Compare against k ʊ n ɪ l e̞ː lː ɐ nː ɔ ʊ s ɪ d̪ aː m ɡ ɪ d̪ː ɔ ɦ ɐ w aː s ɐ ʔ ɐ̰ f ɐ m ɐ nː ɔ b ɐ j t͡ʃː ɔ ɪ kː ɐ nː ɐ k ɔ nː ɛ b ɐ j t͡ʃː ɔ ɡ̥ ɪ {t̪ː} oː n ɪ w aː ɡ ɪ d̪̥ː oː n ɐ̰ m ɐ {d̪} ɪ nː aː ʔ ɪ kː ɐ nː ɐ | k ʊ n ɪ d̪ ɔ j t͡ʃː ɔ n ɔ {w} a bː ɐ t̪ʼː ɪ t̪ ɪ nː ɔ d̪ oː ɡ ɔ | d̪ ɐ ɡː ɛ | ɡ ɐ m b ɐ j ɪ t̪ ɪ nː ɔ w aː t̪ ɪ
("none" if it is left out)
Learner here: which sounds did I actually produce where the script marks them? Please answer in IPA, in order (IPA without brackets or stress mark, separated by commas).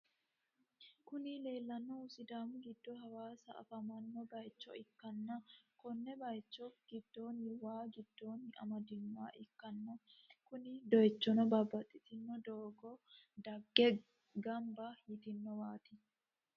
d̪ː, d̪, b